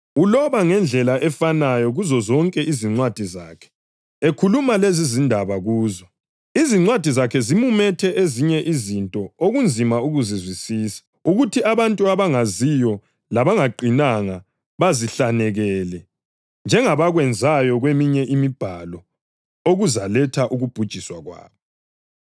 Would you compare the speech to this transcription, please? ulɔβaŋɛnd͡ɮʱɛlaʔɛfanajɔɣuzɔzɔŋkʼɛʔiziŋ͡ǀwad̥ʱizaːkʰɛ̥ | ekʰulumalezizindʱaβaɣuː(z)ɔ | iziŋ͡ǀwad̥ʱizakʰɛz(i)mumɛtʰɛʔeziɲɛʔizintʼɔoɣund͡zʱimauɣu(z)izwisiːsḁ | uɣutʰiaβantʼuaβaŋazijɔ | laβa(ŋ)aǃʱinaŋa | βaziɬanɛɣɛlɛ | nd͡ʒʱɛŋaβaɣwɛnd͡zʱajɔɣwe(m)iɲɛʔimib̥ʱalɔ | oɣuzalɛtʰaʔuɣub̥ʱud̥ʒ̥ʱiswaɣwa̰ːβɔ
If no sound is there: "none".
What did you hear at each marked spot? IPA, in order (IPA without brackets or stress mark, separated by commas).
z, i, z, ŋ, m